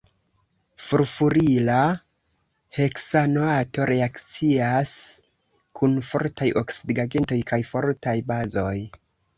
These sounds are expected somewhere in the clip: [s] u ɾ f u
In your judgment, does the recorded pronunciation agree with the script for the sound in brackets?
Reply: no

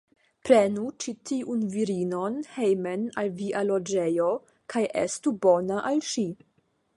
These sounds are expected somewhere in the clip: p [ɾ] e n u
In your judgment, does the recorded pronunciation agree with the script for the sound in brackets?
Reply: yes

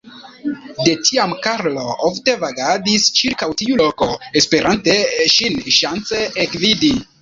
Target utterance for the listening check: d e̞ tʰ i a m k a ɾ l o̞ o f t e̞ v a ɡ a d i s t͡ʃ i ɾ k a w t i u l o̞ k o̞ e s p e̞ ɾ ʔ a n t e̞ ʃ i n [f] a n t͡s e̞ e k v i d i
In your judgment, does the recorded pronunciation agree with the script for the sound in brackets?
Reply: no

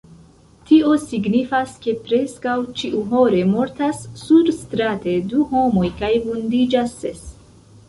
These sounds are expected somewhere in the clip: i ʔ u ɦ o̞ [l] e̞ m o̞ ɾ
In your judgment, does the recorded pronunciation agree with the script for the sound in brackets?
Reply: no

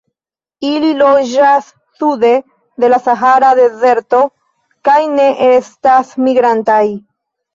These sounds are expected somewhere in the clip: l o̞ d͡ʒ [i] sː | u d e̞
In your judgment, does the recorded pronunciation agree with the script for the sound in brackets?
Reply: no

